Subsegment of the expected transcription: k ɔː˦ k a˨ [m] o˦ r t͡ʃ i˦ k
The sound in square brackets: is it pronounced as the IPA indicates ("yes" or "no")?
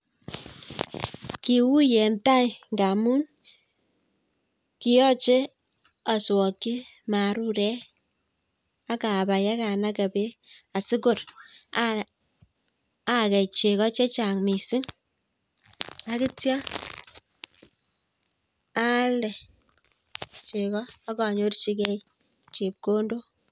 no